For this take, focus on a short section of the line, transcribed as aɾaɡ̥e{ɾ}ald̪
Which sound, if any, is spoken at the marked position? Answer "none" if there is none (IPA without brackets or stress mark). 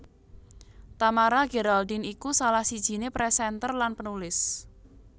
ɾ